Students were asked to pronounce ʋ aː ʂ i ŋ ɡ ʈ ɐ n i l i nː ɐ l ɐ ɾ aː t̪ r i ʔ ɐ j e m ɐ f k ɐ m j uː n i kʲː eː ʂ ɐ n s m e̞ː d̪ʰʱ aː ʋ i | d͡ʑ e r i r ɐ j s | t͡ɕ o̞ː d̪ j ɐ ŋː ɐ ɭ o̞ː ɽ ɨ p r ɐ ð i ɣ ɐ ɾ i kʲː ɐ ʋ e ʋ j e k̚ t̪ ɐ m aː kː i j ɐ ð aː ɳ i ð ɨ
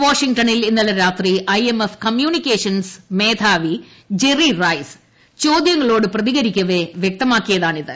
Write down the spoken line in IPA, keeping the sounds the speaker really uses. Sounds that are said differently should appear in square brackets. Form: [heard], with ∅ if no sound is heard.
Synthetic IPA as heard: ʋ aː ʂ i ŋ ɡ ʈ ɐ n i l i nː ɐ l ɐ ɾ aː t̪ r i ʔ ɐ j e m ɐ f k ɐ m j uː n i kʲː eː ʂ ɐ n s m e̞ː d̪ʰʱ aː ʋ i | d͡ʑ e r i r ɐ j s | t͡ɕ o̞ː d̪ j ɐ ŋː ɐ ɭ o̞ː ɽ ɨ p r ɐ ð i ɣ ɐ ɾ i kʲː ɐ ʋ e ʋ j e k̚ t̪ ɐ m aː kː i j ɐ ð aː ɳ i ð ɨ